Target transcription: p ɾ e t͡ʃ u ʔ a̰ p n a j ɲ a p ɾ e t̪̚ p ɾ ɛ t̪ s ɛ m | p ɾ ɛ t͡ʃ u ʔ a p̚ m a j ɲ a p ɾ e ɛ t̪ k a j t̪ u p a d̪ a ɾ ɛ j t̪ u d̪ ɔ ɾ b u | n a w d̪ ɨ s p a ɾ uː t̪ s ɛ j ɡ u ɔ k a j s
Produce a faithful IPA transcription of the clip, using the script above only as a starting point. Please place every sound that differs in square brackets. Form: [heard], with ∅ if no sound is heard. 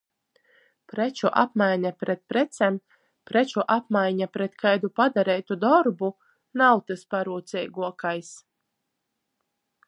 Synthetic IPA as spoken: p ɾ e t͡ʃ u ʔ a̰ p [m] a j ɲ a p ɾ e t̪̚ p ɾ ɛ t̪ s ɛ m | p ɾ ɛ t͡ʃ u ʔ a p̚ m a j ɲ a p ɾ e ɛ t̪ k a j [d̪] u p a d̪ a ɾ ɛ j t̪ u d̪ ɔ ɾ b u | n a w [t̪] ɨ s p a ɾ uː t̪ s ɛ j ɡ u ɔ k a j s